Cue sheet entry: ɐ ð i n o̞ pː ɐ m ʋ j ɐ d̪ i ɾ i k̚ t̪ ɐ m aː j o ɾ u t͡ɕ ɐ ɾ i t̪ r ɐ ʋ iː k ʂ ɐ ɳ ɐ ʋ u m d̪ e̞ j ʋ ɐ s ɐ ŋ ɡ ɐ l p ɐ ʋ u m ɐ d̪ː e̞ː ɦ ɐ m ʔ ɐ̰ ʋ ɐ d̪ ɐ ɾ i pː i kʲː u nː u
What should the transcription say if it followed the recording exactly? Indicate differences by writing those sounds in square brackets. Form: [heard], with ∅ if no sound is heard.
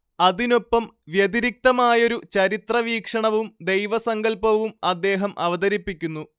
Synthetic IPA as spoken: ɐ ð i n o̞ pː ɐ m ʋ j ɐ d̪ i ɾ i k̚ t̪ ɐ m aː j o ɾ u t͡ɕ ɐ ɾ i t̪ r ɐ ʋ iː k ʂ ɐ ɳ ɐ ʋ u m d̪ e̞ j ʋ ɐ s ɐ ŋ ɡ ɐ l p ɐ ʋ u m ɐ d̪ː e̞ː ɦ ɐ m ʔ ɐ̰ ʋ ɐ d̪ ɐ ɾ i pː i kʲː u nː u